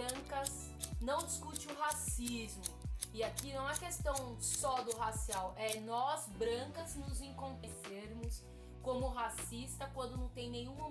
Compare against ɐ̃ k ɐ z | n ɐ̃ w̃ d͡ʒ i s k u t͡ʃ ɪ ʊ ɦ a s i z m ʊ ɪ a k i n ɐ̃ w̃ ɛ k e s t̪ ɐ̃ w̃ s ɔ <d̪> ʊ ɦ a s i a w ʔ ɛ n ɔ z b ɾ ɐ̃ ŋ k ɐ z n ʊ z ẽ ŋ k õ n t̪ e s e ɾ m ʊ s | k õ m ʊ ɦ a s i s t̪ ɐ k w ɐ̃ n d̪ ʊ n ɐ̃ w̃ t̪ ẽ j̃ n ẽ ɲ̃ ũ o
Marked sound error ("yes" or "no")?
no